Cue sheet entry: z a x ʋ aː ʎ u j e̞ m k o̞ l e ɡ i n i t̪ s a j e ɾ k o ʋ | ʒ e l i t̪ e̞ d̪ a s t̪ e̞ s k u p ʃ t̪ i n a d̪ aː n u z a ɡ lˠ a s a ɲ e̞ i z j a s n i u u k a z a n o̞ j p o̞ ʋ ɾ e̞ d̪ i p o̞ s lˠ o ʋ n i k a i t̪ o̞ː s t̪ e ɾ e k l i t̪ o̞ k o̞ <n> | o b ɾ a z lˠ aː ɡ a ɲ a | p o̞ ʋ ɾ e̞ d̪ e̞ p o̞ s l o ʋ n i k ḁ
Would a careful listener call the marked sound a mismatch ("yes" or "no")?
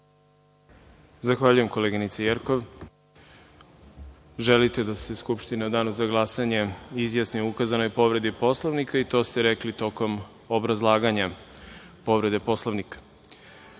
yes